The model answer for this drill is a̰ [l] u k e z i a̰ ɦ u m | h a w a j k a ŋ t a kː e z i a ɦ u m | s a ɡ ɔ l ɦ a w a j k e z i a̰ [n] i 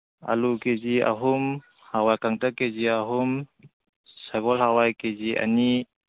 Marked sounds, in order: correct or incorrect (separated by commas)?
correct, correct